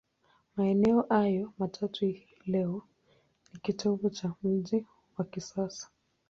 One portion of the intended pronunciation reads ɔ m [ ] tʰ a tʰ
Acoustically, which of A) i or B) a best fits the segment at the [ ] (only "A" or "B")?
B